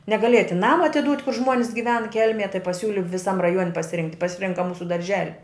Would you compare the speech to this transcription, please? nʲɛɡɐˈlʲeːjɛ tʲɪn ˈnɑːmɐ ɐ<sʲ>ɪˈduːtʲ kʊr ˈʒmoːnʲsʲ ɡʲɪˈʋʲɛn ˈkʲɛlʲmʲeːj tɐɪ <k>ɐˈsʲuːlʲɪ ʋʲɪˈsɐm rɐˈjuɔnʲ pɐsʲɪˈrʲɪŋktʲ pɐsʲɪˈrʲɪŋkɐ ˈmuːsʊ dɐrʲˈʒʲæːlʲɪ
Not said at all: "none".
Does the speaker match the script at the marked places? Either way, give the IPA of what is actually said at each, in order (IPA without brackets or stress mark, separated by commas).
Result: tʲ, p